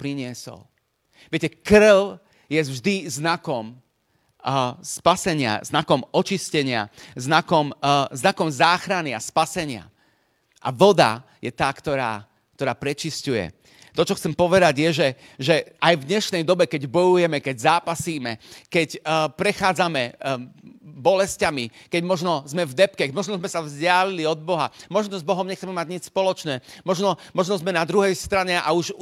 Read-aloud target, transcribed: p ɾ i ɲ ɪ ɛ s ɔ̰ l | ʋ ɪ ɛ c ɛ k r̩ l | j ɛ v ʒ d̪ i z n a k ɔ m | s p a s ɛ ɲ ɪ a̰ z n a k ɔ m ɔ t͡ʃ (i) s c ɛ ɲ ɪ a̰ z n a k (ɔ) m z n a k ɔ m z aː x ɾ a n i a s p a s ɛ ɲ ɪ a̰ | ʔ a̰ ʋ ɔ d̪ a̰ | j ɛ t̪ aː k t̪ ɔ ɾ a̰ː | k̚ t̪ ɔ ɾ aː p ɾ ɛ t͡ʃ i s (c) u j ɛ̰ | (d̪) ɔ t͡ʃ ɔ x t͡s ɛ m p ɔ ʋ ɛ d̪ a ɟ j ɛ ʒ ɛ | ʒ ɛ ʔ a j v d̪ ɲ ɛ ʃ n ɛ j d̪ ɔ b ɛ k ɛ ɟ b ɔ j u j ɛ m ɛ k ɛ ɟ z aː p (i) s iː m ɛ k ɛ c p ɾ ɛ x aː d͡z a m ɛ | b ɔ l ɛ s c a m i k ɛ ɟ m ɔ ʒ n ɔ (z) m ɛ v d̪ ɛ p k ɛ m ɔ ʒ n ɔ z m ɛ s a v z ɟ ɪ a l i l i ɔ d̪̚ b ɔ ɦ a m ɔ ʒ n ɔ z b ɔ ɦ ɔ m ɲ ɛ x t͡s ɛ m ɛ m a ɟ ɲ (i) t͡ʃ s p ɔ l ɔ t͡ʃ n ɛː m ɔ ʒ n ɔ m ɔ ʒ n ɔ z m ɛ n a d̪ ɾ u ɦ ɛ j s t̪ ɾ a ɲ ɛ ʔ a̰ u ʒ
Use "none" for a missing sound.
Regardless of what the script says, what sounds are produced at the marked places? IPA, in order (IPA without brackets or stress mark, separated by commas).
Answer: i, ɔ, c, t̪, a, z, i